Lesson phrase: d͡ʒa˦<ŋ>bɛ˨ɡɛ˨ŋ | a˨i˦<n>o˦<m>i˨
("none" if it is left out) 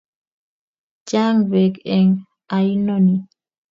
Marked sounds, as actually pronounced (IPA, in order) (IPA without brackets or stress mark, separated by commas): ŋ, n, n